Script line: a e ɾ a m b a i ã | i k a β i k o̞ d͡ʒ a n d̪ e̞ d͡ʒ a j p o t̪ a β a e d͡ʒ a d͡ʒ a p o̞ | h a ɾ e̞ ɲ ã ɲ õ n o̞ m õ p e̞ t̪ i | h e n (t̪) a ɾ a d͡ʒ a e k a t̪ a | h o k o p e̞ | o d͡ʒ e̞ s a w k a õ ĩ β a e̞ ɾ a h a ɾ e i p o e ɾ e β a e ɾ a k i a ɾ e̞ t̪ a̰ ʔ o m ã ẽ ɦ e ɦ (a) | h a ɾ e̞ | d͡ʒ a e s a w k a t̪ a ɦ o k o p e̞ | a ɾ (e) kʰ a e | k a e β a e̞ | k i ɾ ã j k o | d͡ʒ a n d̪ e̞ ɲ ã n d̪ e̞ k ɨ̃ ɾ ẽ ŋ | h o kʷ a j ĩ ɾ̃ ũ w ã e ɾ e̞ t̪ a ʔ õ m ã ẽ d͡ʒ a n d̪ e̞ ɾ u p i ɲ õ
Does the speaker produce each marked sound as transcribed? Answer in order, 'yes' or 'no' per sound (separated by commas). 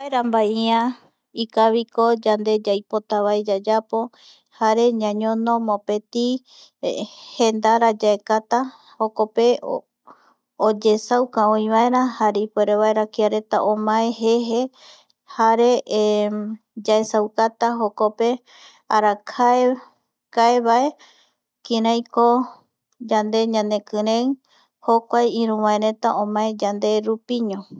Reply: no, no, no